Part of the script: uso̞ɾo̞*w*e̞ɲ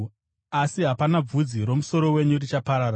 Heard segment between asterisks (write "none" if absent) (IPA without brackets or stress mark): w